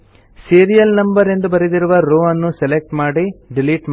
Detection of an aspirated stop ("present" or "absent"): absent